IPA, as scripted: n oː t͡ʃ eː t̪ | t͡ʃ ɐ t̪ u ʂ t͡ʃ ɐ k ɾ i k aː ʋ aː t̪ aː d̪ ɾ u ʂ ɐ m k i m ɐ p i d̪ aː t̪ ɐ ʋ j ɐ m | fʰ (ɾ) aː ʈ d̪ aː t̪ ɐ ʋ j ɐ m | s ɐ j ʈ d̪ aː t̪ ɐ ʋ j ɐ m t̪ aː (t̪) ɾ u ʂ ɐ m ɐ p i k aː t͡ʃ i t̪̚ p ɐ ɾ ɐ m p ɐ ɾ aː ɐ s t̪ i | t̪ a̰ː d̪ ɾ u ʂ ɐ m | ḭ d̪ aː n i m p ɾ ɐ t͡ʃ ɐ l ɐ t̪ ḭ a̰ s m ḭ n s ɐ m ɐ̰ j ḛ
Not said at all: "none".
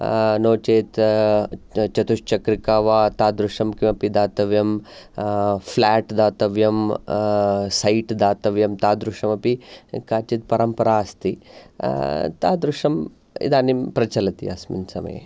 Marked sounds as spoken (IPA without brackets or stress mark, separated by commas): l, d̪